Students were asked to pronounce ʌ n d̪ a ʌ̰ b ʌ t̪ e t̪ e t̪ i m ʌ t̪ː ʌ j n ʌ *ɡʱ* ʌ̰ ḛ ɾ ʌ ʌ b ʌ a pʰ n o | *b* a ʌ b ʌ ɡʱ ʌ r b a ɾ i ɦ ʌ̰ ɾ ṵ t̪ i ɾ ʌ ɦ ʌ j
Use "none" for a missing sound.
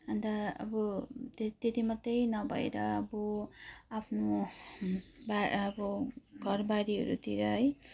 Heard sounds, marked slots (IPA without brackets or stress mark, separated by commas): bʱ, b